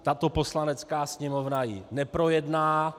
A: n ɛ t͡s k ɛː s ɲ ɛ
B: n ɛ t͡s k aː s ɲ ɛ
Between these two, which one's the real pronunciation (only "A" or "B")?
B